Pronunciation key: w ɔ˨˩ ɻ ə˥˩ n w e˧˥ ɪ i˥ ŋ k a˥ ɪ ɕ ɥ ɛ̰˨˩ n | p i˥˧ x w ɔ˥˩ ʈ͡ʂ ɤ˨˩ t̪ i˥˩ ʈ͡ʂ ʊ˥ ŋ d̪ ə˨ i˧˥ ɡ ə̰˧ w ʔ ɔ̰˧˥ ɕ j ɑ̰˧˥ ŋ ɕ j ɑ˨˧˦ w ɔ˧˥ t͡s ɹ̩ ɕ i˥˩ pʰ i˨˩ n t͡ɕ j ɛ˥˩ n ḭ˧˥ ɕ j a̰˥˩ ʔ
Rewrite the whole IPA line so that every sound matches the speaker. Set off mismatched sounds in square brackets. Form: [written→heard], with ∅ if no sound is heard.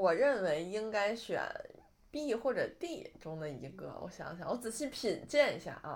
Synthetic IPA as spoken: w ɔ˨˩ ɻ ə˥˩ n w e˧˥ ɪ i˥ ŋ k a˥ ɪ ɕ ɥ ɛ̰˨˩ n | p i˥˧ x w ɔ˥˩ ʈ͡ʂ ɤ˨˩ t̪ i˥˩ ʈ͡ʂ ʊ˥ ŋ d̪ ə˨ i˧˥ ɡ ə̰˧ w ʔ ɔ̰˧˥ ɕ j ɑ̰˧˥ ŋ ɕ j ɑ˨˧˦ w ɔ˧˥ t͡s ɹ̩ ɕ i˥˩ pʰ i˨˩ n t͡ɕ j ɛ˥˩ n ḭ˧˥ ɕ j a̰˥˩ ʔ